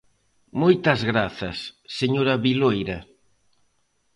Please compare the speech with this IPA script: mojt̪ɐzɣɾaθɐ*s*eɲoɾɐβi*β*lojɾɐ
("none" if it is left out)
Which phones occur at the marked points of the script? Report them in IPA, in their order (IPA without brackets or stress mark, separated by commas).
sː, none